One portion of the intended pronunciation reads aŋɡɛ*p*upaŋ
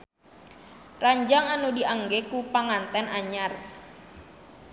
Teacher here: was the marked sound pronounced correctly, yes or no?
no